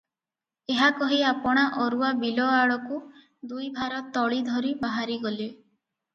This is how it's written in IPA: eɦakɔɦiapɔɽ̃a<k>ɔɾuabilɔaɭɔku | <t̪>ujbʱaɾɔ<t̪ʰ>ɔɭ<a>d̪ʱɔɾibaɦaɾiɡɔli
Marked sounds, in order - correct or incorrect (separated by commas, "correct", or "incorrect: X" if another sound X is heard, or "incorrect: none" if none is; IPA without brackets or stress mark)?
incorrect: ʔ, incorrect: d̪, incorrect: t̪, incorrect: i